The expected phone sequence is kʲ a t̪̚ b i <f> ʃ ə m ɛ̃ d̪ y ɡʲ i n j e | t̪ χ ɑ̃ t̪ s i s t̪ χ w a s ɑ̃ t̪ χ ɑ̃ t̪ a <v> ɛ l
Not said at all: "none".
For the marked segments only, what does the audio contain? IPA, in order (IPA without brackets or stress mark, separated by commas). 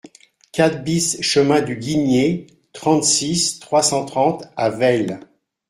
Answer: s, v